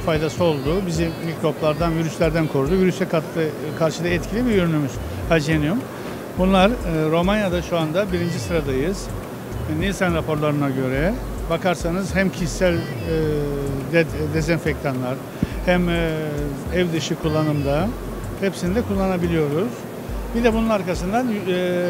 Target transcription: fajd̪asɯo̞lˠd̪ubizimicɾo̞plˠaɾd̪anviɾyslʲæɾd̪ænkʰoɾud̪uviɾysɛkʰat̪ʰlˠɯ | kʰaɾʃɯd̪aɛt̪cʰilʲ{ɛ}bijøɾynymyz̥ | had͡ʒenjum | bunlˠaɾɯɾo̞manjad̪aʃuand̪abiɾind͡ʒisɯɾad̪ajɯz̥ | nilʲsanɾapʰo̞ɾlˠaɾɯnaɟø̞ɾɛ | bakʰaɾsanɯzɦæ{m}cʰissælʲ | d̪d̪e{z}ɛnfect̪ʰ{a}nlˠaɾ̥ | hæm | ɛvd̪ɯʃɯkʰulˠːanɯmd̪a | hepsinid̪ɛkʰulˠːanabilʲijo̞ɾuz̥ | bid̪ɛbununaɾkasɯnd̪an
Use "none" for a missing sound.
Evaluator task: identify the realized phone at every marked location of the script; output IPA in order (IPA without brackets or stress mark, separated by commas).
i, m, z, a